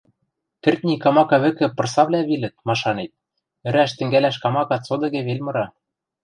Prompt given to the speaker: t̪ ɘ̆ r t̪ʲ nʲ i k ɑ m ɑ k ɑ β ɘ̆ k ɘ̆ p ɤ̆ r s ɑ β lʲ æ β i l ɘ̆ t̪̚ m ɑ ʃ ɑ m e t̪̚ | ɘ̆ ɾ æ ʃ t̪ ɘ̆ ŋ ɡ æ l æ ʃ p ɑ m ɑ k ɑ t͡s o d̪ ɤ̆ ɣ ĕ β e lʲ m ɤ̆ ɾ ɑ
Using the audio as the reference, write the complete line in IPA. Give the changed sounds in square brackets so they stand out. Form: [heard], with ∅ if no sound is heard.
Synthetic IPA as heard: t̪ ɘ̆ r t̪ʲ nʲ i k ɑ m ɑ k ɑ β ɘ̆ k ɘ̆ p ɤ̆ r s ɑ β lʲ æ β i l ɘ̆ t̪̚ m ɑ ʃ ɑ [n] e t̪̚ | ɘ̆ ɾ æ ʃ t̪ ɘ̆ ŋ ɡ æ l æ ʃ [k] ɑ m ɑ k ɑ t͡s o d̪ ɤ̆ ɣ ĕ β e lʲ m ɤ̆ ɾ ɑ